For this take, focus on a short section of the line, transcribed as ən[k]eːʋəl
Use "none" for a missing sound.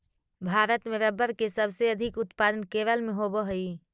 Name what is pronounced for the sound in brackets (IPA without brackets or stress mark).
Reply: k